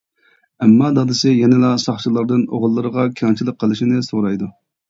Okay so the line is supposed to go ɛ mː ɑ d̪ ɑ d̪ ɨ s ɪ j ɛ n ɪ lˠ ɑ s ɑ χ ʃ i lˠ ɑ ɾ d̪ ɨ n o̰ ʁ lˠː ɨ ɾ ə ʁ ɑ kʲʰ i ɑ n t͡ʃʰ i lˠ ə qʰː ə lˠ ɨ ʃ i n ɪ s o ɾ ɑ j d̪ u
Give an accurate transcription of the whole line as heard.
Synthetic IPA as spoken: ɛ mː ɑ d̪ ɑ d̪ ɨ s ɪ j ɛ n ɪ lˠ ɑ s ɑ χ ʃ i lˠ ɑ ɾ d̪ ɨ n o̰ ʁ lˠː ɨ ɾ ə ʁ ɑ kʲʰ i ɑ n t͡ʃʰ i lˠ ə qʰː ə lˠ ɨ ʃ i n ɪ s o ɾ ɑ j d̪ u